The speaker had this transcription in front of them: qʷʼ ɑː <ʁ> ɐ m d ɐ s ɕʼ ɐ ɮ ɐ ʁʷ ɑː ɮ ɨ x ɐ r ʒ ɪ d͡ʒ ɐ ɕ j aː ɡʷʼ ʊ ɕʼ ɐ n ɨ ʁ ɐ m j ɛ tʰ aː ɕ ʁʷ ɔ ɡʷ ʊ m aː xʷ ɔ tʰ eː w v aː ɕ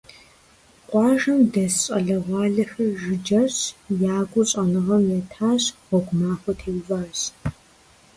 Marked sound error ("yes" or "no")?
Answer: yes